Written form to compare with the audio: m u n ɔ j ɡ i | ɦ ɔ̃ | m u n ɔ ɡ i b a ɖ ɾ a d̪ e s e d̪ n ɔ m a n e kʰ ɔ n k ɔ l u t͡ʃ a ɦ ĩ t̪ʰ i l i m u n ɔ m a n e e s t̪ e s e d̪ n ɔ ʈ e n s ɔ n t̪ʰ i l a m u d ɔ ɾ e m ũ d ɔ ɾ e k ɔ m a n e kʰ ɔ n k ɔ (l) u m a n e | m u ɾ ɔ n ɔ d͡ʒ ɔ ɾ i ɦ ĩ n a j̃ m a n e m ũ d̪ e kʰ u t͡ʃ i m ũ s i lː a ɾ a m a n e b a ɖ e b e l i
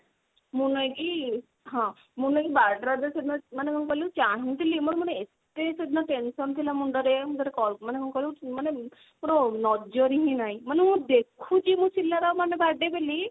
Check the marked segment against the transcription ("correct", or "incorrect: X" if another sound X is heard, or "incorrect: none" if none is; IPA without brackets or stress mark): correct